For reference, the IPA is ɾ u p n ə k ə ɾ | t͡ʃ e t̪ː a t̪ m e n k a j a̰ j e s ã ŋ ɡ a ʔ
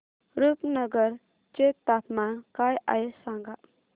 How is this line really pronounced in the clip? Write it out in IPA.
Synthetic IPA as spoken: ɾ u p n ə ɡ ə ɾ | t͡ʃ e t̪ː a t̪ m a n k a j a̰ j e s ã ŋ ɡ a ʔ